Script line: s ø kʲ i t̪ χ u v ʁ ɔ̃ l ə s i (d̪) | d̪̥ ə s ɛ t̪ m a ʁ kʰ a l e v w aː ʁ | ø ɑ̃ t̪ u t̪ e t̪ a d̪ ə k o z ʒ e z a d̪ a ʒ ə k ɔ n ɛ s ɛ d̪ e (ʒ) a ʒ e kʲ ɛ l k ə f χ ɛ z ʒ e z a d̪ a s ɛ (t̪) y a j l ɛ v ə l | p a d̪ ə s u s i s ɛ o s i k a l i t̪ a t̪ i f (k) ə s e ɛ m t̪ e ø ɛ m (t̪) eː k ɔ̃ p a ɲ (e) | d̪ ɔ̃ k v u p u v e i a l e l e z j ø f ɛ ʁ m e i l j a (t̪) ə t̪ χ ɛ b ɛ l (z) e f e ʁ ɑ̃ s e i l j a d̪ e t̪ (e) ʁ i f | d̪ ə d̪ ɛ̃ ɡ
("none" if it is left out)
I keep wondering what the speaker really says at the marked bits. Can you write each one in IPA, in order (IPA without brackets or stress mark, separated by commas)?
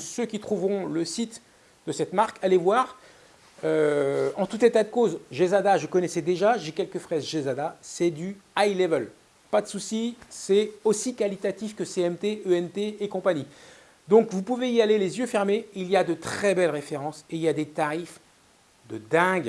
t̪, ʒ, d̪, k, t̪, i, d̪, ʁ, a